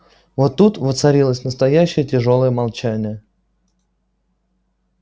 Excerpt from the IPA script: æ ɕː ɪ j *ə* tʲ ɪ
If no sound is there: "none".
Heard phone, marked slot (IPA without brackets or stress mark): ə